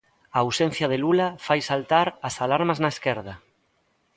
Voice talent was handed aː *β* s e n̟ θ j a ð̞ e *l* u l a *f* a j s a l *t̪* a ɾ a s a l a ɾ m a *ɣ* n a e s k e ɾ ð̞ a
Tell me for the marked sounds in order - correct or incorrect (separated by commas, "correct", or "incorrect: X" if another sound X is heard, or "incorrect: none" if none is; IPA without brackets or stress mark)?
incorrect: w, correct, correct, correct, incorrect: z